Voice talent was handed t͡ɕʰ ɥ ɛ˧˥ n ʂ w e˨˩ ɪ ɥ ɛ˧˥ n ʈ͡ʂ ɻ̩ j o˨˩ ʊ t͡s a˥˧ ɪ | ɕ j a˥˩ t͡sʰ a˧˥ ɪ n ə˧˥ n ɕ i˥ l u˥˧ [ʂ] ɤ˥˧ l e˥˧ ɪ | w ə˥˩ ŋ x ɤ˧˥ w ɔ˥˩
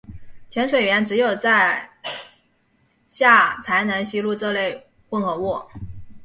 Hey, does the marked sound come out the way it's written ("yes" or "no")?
no